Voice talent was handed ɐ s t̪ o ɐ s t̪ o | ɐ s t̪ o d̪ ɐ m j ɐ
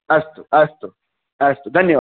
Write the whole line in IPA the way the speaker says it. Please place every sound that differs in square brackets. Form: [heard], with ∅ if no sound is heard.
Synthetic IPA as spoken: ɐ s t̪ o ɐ s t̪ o | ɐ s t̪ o d̪ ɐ [n] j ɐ

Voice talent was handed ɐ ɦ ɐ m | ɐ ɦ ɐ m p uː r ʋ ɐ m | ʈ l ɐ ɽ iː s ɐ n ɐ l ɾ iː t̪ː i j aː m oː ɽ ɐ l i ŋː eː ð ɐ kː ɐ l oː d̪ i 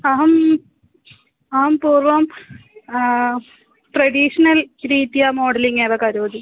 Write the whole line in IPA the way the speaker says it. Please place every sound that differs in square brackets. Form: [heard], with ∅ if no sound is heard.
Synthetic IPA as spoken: ɐ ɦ ɐ m | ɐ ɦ ɐ m p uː r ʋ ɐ m | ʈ [r] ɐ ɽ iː [ʂ] ɐ n ɐ l ɾ iː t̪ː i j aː m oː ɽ ɐ l i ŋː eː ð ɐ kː ɐ [ɾ] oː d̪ i

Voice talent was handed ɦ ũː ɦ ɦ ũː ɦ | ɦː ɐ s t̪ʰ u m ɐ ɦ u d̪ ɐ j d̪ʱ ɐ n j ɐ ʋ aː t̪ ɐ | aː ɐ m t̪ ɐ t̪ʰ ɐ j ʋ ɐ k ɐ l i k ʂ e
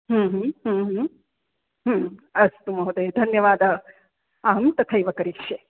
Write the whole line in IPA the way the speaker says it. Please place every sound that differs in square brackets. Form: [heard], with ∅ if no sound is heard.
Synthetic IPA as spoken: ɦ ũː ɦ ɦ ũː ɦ | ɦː ɐ s [t̪] u m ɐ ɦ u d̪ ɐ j d̪ʱ ɐ n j ɐ ʋ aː [d̪] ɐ | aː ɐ m t̪ ɐ t̪ʰ ɐ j ʋ ɐ k ɐ [ɾ] i k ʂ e

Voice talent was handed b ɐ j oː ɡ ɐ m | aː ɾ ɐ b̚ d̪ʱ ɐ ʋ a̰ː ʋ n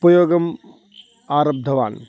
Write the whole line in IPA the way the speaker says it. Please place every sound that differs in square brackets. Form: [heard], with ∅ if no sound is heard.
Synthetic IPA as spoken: [p] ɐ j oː ɡ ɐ m | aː ɾ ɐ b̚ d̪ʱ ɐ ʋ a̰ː [∅] n

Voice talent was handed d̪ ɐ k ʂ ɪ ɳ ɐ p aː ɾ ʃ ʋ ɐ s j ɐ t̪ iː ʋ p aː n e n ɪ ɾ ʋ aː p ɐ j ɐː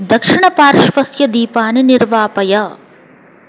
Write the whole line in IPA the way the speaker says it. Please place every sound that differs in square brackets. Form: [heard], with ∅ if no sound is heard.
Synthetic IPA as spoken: d̪ ɐ k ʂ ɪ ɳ ɐ p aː ɾ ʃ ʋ ɐ s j ɐ [d̪] iː [∅] p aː n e n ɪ ɾ ʋ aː p ɐ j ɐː

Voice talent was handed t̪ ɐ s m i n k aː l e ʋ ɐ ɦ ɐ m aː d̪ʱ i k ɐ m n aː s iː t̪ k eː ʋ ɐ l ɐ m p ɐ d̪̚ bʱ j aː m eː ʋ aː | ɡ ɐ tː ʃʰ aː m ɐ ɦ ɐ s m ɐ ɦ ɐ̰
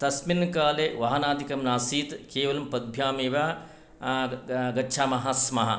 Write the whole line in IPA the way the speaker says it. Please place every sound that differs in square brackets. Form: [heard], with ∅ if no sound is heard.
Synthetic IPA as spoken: t̪ ɐ s m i n k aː l e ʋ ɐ ɦ ɐ [n] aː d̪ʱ i k ɐ m n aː s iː t̪ k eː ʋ ɐ l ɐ m p ɐ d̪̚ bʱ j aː m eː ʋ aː | ɡ ɐ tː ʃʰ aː m ɐ ɦ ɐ s m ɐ ɦ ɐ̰

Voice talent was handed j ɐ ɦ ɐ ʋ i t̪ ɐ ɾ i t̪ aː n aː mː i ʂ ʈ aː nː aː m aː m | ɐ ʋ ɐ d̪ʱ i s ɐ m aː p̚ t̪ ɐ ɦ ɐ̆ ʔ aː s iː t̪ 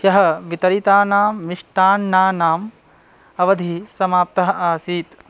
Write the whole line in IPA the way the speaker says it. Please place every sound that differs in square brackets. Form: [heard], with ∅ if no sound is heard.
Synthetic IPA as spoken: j ɐ ɦ ɐ ʋ i t̪ ɐ ɾ i t̪ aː n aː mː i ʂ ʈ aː nː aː [n] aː m | ɐ ʋ ɐ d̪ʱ i s ɐ m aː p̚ t̪ ɐ ɦ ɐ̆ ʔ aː s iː t̪

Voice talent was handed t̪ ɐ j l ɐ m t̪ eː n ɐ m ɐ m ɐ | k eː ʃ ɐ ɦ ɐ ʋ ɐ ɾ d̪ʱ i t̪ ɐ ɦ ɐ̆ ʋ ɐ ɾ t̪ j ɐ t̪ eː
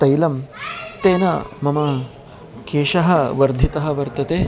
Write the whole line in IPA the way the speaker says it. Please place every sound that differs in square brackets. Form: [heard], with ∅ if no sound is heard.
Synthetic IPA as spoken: t̪ ɐ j l ɐ m t̪ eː n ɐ m ɐ m ɐ | k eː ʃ ɐ ɦ ɐ ʋ ɐ ɾ d̪ʱ i t̪ ɐ ɦ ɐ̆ ʋ ɐ ɾ t̪ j ɐ t̪ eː

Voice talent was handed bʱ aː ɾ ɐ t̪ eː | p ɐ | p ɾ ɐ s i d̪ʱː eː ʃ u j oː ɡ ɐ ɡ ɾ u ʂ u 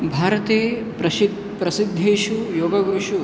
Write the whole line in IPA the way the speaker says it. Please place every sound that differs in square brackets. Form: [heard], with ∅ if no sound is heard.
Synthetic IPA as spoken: bʱ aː ɾ ɐ t̪ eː | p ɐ | p ɾ ɐ s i d̪ʱː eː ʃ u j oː ɡ ɐ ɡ ɾ u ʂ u

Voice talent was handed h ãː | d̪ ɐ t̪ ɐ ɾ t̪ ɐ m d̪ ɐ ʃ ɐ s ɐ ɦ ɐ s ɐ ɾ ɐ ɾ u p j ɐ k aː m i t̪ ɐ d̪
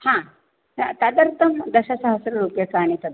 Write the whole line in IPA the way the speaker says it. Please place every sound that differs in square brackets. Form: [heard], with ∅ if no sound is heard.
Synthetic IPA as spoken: h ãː | [t̪] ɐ [d̪] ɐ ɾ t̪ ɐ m d̪ ɐ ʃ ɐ s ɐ ɦ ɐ s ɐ ɾ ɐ ɾ u p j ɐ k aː [n] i t̪ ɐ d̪

